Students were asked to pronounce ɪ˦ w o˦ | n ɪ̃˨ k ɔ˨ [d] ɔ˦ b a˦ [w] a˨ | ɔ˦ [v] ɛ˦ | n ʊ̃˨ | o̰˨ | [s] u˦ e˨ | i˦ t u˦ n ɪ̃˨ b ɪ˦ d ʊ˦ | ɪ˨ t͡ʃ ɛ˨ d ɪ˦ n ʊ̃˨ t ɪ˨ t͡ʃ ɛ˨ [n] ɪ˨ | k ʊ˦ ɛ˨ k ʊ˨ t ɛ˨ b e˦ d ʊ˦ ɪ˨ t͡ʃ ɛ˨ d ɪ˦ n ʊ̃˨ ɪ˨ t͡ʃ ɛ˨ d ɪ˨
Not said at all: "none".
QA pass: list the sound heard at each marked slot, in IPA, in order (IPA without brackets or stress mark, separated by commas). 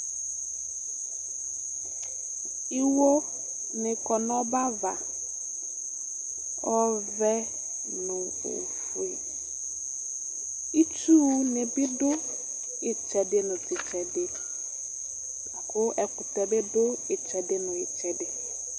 n, v, v, f, d